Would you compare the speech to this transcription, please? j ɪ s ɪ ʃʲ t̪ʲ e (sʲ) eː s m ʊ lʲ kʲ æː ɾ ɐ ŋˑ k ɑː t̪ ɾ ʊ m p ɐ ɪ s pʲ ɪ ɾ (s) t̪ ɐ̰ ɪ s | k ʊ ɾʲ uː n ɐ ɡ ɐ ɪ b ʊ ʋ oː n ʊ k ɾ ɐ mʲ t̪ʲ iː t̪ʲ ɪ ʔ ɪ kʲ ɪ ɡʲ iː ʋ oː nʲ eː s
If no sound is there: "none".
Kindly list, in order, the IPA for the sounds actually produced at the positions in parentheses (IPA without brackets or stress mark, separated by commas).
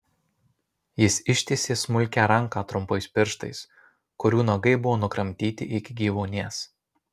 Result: sʲ, ʃ